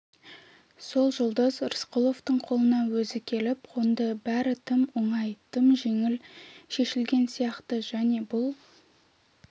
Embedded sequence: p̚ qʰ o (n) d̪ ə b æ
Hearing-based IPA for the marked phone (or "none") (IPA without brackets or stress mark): n